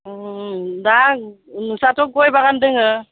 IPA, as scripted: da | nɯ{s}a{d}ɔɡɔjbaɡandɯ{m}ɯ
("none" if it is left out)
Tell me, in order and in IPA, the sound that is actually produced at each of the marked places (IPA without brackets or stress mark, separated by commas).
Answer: s, t, ŋ